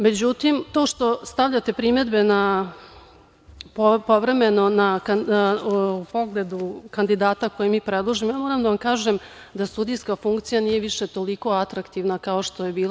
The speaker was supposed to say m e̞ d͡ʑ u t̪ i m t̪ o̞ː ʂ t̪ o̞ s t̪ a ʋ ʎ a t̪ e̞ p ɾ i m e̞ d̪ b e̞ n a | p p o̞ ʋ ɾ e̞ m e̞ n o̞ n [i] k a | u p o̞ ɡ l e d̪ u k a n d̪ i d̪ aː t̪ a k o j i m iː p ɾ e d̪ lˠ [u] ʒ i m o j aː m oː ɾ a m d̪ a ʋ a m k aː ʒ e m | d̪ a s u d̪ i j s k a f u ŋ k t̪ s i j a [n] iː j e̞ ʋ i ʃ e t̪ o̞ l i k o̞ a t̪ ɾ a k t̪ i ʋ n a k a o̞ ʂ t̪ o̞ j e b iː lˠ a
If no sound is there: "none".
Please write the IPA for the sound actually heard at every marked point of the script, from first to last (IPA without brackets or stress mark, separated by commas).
a, o, n